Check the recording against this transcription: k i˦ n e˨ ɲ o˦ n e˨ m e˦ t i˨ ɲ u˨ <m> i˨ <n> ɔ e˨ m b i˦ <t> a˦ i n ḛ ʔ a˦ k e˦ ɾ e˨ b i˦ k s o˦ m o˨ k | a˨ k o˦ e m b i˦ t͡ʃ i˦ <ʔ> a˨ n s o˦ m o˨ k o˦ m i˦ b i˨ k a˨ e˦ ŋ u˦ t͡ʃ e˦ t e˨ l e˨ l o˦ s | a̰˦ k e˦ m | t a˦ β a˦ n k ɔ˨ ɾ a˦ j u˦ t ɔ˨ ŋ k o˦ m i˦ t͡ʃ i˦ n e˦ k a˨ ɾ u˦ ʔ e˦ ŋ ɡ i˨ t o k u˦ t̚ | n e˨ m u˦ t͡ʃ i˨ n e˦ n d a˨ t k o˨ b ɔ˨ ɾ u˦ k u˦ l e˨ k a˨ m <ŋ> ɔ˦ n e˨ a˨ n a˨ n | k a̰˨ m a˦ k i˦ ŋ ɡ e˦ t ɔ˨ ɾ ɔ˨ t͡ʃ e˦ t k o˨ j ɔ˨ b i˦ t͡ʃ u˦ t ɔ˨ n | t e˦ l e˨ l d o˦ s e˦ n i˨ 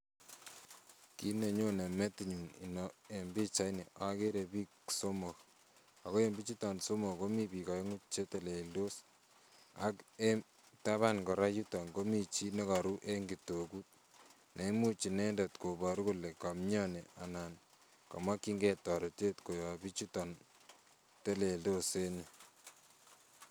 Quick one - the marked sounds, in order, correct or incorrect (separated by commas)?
incorrect, correct, incorrect, incorrect, incorrect